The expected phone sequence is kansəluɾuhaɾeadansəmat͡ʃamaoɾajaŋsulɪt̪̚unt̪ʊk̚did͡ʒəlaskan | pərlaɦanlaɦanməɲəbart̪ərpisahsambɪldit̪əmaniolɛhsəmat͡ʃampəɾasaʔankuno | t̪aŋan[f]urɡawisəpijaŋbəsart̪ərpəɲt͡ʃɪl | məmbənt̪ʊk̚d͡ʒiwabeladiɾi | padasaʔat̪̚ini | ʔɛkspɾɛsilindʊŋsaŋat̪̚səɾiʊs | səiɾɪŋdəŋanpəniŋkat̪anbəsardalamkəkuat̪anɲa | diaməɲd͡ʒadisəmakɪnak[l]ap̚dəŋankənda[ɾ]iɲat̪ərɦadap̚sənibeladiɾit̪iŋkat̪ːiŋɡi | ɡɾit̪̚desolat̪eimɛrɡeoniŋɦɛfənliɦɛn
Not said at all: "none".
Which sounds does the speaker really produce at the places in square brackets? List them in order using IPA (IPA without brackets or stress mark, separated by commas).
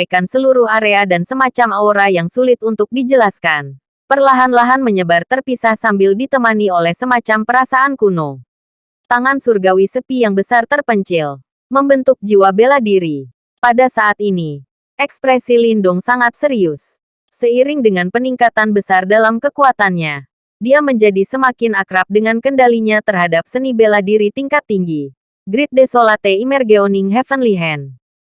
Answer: s, ɾ, l